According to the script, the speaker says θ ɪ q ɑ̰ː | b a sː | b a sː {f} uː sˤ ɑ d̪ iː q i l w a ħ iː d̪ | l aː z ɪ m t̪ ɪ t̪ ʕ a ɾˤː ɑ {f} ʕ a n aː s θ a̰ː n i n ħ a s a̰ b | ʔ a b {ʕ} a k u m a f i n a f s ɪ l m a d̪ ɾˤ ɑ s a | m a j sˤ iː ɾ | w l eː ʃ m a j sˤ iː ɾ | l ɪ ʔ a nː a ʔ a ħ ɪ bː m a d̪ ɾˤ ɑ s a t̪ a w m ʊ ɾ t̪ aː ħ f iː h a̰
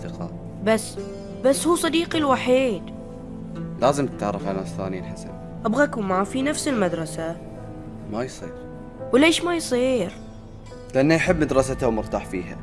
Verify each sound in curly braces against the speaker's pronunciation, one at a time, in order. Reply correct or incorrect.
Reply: incorrect, correct, incorrect

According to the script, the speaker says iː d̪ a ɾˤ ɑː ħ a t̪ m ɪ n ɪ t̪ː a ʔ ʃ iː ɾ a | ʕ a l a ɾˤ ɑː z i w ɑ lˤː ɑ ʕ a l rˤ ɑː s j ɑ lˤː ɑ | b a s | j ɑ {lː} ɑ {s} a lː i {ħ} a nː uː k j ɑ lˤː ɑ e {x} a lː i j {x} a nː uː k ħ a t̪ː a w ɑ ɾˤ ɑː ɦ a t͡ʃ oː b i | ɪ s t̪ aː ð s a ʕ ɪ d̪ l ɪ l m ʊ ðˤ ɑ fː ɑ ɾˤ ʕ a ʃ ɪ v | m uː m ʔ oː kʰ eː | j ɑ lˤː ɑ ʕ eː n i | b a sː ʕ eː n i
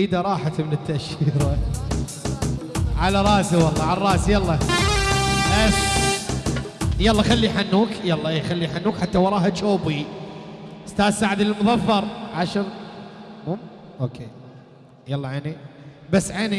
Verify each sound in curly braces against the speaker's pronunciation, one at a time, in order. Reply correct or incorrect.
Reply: correct, incorrect, correct, correct, incorrect

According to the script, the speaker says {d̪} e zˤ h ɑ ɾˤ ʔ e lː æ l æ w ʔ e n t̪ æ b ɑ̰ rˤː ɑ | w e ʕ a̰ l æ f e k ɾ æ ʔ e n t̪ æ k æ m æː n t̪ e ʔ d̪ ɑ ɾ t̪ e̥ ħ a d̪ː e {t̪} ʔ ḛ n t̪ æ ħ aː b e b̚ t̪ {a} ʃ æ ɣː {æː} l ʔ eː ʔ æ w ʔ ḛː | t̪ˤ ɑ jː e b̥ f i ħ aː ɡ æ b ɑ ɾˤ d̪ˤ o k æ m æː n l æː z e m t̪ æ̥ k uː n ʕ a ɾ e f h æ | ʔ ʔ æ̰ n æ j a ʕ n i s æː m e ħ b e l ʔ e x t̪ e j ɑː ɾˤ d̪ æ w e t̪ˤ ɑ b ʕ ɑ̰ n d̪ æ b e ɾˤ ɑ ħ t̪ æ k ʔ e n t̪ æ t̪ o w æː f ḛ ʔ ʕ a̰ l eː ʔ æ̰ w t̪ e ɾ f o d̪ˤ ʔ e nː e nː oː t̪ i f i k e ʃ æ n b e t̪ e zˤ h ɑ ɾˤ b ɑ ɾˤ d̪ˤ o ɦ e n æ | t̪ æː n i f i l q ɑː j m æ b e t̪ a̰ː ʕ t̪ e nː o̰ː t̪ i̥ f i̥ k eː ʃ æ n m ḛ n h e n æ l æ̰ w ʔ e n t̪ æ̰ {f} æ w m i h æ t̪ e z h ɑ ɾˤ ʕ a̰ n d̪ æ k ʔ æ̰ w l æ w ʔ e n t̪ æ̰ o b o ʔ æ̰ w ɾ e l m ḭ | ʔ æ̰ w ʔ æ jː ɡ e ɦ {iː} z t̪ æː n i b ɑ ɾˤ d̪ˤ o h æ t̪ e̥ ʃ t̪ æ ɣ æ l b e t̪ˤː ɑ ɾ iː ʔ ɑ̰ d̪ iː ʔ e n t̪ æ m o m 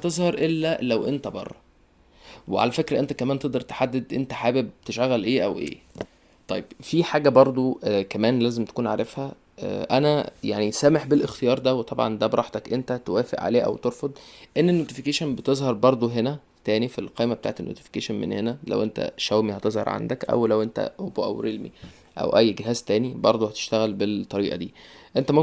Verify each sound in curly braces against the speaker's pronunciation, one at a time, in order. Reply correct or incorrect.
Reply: incorrect, incorrect, incorrect, incorrect, incorrect, incorrect

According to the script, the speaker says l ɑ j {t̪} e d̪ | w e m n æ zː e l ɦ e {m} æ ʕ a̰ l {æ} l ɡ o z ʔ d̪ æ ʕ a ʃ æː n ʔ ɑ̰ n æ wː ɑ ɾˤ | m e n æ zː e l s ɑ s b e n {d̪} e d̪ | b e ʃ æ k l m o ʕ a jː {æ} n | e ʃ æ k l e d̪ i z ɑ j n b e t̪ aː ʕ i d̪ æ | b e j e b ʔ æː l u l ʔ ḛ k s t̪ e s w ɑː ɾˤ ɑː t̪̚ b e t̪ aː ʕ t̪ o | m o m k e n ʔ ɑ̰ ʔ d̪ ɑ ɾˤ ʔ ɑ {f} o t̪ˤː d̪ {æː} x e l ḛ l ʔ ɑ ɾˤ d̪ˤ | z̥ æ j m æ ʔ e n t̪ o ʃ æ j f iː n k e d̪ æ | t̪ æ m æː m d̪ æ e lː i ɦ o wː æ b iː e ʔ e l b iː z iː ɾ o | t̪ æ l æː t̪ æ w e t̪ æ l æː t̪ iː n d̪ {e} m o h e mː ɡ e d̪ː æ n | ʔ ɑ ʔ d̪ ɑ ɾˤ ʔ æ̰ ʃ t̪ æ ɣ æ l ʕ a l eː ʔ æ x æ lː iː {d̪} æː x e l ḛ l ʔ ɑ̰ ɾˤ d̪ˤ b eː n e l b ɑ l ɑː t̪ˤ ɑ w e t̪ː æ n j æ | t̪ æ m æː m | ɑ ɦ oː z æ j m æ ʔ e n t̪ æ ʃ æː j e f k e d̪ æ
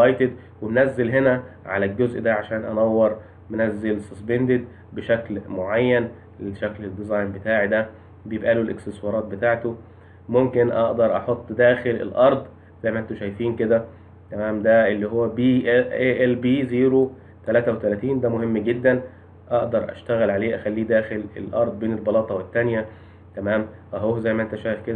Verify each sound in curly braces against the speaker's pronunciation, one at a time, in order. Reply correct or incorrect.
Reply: correct, incorrect, correct, correct, correct, incorrect, correct, incorrect, correct

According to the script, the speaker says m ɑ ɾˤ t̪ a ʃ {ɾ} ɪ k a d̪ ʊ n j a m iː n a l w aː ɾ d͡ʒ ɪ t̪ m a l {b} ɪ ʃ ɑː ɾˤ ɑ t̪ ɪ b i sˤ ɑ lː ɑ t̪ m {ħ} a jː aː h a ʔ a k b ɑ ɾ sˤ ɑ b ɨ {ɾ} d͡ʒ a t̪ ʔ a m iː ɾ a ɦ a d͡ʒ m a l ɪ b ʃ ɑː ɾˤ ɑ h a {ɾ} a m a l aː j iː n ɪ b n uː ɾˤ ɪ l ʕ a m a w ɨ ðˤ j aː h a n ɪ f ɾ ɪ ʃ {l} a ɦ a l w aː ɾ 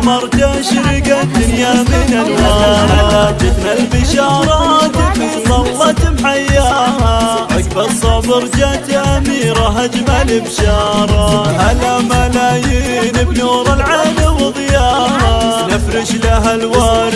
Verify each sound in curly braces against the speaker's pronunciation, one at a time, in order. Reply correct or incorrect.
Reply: correct, correct, correct, correct, incorrect, correct

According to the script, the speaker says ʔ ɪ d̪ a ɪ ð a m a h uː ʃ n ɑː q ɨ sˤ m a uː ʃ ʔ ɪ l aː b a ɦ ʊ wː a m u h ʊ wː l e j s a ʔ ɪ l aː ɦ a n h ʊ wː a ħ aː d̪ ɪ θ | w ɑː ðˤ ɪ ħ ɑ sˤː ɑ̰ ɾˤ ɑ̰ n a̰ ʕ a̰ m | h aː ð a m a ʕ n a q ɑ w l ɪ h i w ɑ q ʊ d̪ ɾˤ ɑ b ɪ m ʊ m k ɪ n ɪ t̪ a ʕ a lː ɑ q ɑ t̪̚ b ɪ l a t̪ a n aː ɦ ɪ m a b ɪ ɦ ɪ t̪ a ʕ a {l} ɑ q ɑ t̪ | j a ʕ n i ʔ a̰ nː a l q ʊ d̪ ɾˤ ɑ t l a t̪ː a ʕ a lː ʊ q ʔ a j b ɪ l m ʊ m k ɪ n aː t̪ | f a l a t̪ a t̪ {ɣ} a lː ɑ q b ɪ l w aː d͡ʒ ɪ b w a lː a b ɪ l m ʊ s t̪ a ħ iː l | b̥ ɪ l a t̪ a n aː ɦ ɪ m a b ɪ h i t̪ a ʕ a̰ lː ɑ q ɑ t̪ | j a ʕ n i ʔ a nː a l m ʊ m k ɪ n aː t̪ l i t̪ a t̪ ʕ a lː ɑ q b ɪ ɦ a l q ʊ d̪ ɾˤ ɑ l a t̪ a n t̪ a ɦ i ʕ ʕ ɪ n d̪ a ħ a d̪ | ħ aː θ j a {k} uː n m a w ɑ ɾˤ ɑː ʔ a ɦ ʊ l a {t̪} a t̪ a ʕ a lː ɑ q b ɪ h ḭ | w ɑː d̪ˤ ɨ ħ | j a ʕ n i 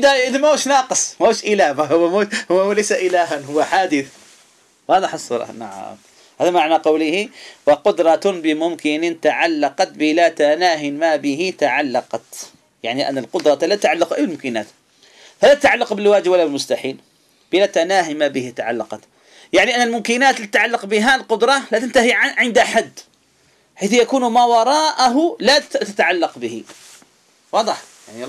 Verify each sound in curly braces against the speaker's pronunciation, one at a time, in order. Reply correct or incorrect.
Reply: incorrect, incorrect, correct, correct

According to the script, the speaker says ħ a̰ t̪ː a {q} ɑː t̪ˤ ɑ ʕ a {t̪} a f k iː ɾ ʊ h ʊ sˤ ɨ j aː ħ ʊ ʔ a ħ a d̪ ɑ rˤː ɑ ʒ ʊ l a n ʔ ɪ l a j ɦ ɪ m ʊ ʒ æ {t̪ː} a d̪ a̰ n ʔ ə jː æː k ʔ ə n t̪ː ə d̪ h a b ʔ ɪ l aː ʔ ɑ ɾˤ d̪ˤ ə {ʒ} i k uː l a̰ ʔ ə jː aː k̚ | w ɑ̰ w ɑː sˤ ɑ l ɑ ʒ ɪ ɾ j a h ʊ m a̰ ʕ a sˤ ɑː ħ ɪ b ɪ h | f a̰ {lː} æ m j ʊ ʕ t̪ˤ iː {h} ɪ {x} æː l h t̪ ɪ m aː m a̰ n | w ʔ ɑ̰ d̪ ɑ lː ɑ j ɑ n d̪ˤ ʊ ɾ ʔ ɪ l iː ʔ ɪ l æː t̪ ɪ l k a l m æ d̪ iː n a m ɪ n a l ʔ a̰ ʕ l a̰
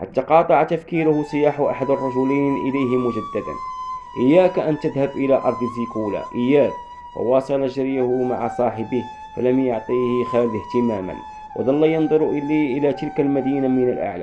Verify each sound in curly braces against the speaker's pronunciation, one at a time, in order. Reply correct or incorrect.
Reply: correct, correct, incorrect, incorrect, incorrect, correct, correct

